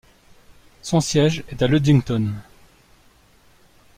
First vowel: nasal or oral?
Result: nasal